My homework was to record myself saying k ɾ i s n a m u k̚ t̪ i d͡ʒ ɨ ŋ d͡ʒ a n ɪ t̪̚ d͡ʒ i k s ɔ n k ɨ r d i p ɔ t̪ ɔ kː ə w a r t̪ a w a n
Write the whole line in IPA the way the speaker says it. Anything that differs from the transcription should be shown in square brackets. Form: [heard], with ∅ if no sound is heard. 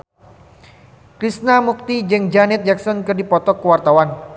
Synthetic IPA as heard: k ɾ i s n a m u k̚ t̪ i d͡ʒ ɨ ŋ d͡ʒ a n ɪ t̪̚ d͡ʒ [a] k s ɔ n k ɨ r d i p ɔ t̪ ɔ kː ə w a r t̪ a w a n